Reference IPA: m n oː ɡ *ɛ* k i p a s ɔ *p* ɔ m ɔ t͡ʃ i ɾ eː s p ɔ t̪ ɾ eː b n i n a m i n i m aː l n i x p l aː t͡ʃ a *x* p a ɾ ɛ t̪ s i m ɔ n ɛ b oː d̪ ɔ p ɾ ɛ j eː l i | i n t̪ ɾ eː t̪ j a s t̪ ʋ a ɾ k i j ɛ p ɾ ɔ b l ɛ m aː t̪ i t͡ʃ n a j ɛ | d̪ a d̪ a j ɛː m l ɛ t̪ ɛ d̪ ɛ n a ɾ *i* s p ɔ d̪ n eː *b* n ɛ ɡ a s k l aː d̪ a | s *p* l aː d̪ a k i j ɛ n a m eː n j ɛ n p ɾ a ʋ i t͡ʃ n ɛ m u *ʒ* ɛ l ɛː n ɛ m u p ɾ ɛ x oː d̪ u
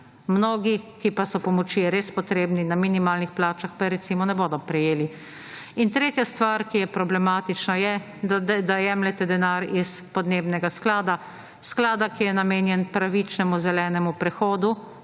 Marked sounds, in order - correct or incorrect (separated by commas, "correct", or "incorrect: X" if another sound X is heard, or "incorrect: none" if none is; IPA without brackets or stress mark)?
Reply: incorrect: i, correct, correct, correct, correct, incorrect: k, incorrect: z